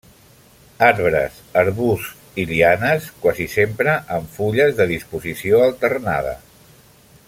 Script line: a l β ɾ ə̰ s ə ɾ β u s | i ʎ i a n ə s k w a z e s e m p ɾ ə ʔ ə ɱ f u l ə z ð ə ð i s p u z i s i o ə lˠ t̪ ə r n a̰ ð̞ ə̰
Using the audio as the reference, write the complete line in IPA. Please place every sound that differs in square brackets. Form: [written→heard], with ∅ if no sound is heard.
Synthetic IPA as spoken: a [l→ɾ] β ɾ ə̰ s ə ɾ β u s | i [ʎ→l] i a n ə s k w a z [e→i] s e m p ɾ ə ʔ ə ɱ f u [l→ʎ] ə z ð ə ð i s p u z i s i o ə lˠ t̪ ə r n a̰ ð̞ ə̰